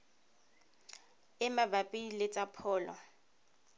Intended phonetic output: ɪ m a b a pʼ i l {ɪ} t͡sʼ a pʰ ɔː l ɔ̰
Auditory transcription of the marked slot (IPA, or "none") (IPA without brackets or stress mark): ɪ